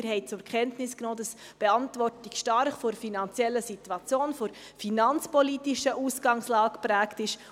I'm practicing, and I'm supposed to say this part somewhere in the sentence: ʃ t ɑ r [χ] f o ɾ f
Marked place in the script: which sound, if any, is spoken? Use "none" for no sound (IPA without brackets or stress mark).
χ